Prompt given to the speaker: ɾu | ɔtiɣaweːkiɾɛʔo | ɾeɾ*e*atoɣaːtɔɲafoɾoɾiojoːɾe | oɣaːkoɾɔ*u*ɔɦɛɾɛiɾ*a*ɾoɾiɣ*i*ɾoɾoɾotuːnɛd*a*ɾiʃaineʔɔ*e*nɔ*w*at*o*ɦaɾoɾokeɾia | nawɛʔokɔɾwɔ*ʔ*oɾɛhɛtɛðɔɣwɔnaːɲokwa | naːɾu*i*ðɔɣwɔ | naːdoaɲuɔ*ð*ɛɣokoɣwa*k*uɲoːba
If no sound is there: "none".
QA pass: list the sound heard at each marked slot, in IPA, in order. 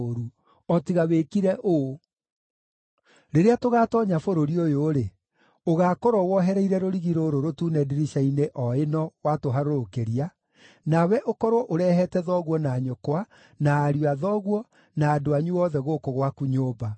e, w, ɛ, i, i, e, w, o, ʔ, a, ð, k

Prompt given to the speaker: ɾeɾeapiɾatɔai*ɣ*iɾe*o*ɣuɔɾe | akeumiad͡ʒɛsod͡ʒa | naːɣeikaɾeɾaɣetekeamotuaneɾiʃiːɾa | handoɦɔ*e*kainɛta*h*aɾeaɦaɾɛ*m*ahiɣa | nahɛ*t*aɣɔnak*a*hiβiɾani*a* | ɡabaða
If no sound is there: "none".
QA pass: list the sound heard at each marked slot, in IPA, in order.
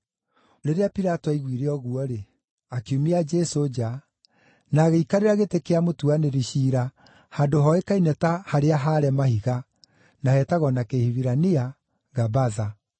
ɣ, ɔ, e, h, m, t, e, a

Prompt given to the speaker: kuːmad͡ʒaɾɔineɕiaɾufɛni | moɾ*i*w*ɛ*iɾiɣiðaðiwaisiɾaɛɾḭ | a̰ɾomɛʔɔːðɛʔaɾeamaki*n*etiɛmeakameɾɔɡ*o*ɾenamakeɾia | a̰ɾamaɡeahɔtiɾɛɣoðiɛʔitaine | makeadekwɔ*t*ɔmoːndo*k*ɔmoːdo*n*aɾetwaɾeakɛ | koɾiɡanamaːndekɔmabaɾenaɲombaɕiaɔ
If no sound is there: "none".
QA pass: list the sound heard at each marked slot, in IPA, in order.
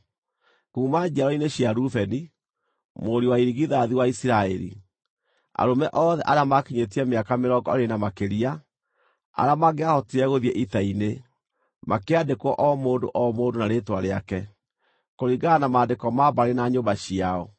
i, a, ɲ, ɔ, ʔ, ʔ, n

